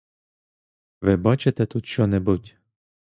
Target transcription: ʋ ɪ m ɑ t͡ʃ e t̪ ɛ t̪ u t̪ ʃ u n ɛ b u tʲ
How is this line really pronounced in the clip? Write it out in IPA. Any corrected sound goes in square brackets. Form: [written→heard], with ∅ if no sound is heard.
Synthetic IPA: ʋ ɪ [m→b] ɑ t͡ʃ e t̪ ɛ t̪ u t̪ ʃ [u→ɔ] n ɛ b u tʲ